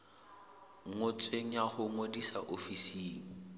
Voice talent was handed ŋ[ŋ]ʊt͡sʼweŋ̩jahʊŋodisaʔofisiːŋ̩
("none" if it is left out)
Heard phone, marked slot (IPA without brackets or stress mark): ŋ